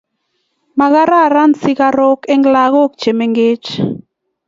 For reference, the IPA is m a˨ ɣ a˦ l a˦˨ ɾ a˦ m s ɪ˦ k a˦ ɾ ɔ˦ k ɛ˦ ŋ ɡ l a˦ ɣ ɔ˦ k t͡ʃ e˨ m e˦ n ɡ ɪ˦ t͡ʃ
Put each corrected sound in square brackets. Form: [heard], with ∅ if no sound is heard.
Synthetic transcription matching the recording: m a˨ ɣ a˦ [ɾ] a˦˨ ɾ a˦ [n] s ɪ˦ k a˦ ɾ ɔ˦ k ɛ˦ ŋ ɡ l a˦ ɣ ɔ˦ k t͡ʃ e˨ m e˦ [ŋ] ɡ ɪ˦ t͡ʃ